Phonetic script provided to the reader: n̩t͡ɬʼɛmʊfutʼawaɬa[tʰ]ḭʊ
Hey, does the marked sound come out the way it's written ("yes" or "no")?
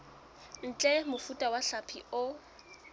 no